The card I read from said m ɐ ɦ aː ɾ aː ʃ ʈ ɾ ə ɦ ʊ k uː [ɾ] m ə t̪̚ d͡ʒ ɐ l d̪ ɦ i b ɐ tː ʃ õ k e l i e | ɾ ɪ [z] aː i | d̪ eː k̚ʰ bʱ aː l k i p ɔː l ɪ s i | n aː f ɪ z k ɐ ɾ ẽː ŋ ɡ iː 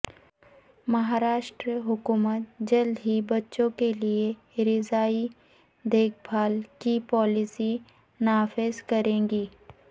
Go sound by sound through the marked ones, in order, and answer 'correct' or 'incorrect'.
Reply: incorrect: none, correct

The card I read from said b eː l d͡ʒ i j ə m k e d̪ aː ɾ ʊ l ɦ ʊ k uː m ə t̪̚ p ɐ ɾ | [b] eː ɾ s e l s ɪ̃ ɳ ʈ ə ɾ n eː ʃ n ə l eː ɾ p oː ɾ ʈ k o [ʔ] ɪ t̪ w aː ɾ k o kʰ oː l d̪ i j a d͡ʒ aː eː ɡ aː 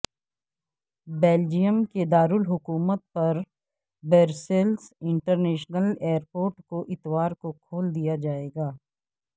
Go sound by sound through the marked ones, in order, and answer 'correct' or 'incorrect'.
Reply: correct, correct

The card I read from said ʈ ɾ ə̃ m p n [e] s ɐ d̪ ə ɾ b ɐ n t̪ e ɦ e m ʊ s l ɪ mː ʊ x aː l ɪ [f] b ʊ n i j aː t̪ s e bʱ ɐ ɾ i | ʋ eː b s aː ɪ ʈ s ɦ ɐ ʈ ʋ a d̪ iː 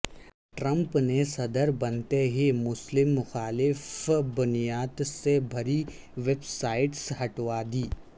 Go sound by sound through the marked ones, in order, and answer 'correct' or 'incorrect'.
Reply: correct, correct

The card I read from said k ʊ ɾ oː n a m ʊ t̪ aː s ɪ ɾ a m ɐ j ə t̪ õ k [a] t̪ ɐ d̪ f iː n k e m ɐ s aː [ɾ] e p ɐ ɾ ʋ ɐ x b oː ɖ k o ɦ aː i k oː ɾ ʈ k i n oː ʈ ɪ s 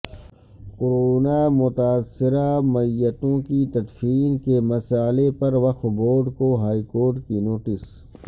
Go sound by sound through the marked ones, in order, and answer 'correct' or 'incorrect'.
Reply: incorrect: i, incorrect: l

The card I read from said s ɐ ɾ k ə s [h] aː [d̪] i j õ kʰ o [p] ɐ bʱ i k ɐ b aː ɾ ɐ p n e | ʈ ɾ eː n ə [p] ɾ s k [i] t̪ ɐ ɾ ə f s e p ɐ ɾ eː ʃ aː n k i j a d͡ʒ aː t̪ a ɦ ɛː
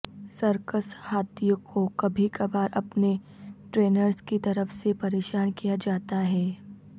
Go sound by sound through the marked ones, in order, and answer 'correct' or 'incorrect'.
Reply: correct, incorrect: t̪, incorrect: k, incorrect: none, correct

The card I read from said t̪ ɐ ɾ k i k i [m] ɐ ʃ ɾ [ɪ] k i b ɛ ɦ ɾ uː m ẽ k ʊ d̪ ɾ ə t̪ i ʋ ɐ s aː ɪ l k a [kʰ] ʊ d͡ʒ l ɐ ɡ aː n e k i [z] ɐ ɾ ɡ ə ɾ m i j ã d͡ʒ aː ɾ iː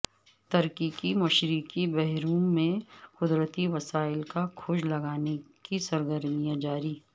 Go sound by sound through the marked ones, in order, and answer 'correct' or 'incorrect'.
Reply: correct, incorrect: i, correct, incorrect: s

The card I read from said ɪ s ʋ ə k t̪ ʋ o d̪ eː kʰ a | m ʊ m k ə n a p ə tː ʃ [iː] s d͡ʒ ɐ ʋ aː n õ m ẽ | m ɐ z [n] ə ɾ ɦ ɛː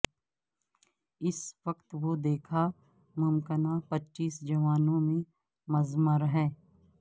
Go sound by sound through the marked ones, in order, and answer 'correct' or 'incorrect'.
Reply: correct, incorrect: m

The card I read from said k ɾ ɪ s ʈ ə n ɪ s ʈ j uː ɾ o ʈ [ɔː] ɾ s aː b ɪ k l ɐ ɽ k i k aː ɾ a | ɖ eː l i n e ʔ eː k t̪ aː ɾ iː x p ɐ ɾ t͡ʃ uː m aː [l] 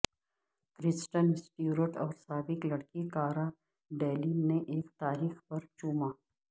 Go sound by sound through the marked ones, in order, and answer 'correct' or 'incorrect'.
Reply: correct, incorrect: none

